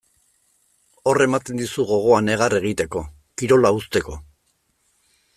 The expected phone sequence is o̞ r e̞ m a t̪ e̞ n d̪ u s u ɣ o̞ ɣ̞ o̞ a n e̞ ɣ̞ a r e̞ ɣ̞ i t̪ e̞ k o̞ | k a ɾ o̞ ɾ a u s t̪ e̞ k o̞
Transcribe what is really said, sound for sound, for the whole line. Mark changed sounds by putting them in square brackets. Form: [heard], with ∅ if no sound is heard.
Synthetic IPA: o̞ r e̞ m a t̪ e̞ n d̪ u s u ɣ o̞ ɣ̞ o̞ a n e̞ ɣ̞ a r e̞ ɣ̞ i t̪ e̞ k o̞ | k [i] ɾ o̞ [l] a u s t̪ e̞ k o̞